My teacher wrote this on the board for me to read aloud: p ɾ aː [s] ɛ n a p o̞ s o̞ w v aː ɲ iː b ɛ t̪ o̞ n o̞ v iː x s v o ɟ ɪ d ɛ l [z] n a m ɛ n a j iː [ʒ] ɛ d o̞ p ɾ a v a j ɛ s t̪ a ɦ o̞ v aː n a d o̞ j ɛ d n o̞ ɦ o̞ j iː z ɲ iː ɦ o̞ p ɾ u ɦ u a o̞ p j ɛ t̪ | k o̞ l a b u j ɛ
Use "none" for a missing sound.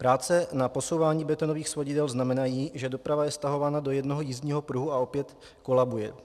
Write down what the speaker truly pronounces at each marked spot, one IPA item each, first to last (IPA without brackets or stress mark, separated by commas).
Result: t͡s, z, ʒ